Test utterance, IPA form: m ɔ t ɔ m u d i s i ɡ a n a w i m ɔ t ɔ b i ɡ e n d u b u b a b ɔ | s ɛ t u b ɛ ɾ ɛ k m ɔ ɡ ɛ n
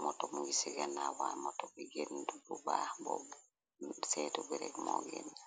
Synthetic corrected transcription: m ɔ t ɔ m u ɡ i s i ɡ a n a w a m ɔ t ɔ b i ɡ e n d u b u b a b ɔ | s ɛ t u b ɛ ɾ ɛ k m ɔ ɡ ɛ n